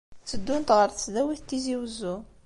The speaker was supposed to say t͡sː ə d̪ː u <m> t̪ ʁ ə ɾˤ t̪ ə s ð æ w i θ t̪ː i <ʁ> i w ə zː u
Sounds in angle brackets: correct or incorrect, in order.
incorrect, incorrect

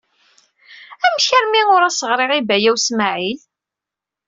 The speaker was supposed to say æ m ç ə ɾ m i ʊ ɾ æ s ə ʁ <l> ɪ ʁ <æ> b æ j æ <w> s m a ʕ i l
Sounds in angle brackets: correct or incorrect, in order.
incorrect, incorrect, correct

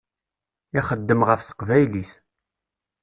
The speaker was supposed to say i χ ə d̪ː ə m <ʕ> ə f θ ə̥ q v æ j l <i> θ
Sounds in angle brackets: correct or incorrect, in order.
incorrect, correct

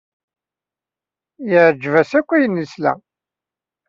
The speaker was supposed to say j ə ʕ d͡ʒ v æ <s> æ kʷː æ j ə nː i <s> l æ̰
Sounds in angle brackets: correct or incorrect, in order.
correct, correct

